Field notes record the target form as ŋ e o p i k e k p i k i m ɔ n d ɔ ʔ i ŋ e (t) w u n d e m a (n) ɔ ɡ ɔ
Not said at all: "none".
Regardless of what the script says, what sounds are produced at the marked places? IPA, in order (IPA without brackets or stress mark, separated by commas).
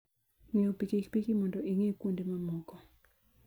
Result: k, m